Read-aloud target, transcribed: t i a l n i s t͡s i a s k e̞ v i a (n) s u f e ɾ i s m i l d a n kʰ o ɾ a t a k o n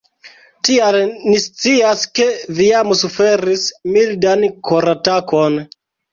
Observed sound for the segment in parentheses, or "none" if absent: m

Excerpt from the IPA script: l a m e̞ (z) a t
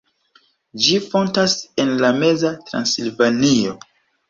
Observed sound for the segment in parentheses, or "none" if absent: z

